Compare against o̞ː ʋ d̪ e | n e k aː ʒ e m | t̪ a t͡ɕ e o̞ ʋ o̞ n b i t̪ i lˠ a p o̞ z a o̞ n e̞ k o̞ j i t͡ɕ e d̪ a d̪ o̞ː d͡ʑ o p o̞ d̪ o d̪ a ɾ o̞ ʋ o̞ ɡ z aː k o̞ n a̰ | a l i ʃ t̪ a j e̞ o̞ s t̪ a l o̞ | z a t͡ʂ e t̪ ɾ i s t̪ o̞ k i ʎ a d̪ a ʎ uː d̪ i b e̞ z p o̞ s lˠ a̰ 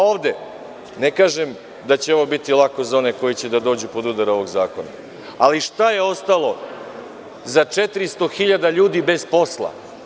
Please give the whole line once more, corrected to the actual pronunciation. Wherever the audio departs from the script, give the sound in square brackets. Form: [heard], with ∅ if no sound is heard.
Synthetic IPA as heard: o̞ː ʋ d̪ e | n e k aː ʒ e m | [d̪] a t͡ɕ e o̞ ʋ o̞ [∅] b i t̪ i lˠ a [k] o̞ z a o̞ n e̞ k o̞ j i t͡ɕ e d̪ a d̪ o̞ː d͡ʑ [u] p o̞ d̪ [u] d̪ a ɾ o̞ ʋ o̞ ɡ z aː k o̞ n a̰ | a l i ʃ t̪ a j e̞ o̞ s t̪ a l o̞ | z a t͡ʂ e t̪ ɾ i s t̪ o̞ [x] i ʎ a d̪ a ʎ uː d̪ i b e̞ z p o̞ s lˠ a̰